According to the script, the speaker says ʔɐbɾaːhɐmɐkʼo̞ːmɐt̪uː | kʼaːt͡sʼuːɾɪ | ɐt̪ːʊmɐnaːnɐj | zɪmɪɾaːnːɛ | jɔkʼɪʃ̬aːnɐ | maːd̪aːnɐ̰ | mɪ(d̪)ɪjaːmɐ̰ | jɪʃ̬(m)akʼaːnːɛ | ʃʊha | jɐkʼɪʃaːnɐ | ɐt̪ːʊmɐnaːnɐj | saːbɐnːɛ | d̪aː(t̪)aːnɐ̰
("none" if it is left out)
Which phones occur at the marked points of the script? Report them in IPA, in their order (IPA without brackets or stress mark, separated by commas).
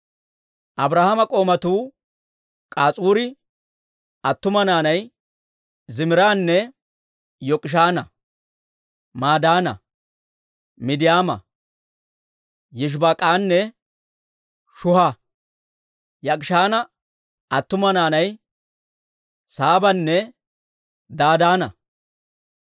d̪, b, d̪